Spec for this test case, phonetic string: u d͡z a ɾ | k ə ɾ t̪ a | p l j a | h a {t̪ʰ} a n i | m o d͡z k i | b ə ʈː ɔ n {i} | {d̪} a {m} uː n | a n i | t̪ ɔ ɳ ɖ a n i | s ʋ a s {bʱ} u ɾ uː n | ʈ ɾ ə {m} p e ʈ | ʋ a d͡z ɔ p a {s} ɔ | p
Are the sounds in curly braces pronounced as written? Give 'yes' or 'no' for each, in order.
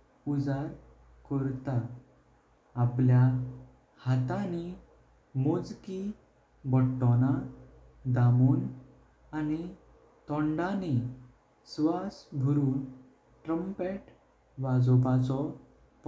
no, no, yes, yes, yes, yes, no

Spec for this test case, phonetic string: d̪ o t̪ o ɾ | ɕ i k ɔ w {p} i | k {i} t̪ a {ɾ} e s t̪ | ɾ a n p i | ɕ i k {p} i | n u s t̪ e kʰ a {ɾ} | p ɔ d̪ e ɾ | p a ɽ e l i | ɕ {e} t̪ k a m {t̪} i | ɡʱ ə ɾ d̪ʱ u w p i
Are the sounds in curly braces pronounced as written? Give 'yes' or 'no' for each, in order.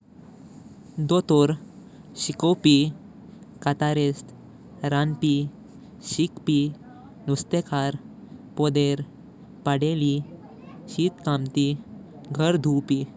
yes, no, yes, yes, yes, no, yes

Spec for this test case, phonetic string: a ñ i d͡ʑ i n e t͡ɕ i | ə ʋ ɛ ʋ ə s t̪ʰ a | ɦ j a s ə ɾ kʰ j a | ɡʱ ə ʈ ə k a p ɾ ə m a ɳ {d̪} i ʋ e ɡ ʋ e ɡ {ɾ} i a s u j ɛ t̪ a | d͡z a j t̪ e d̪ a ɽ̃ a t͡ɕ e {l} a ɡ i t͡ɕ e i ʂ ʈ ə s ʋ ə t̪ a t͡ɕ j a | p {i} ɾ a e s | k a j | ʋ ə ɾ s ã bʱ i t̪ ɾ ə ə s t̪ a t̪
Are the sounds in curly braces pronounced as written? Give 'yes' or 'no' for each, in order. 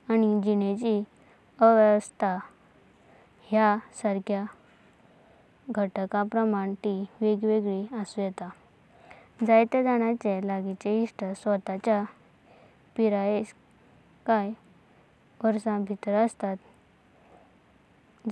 no, no, yes, yes

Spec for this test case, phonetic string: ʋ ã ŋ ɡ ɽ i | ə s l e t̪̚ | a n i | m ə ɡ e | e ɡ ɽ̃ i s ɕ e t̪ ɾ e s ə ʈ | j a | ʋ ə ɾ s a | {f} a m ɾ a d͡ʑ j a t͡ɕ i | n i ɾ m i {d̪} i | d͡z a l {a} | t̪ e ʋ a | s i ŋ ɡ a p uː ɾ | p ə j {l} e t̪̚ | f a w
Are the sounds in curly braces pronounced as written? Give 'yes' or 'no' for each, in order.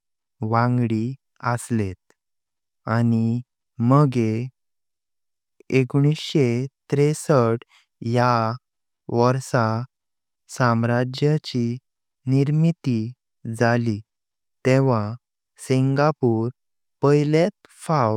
no, no, no, yes

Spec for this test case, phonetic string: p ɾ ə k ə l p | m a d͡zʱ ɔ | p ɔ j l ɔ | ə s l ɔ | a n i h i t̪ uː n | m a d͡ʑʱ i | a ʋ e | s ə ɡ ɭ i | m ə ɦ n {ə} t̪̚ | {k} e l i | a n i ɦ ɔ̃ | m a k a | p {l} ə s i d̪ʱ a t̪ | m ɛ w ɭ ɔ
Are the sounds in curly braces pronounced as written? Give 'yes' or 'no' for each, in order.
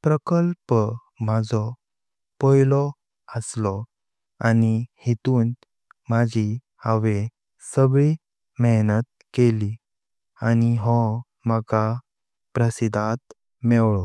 yes, yes, no

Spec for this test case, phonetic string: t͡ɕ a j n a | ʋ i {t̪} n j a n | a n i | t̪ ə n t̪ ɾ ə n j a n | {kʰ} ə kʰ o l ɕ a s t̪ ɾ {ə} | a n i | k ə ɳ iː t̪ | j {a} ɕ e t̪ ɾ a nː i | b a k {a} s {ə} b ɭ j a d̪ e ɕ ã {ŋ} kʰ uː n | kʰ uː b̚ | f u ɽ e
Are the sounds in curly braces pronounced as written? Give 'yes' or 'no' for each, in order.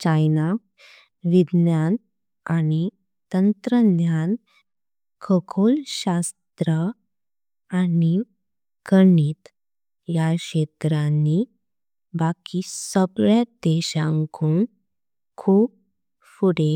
no, yes, yes, yes, no, yes, yes

